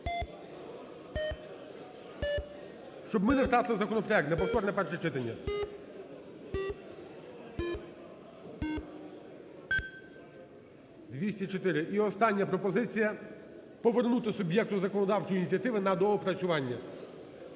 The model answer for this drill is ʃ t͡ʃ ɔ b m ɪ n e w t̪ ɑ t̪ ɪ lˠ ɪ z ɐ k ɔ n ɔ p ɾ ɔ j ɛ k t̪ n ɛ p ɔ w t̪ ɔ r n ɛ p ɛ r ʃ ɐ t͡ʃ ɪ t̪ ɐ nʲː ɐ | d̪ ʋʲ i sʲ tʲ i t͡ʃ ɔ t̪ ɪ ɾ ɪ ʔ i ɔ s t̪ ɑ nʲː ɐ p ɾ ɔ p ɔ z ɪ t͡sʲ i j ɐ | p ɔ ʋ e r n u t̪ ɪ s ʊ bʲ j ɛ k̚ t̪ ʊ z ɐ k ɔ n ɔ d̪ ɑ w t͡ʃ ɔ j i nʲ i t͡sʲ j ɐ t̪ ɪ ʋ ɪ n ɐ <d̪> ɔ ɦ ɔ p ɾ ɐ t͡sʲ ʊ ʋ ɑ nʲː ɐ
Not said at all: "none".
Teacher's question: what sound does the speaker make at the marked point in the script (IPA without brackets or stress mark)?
d̪